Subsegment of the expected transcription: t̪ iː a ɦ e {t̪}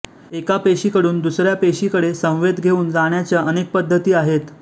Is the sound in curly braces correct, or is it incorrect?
correct